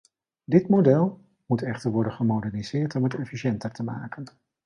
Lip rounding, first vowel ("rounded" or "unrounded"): unrounded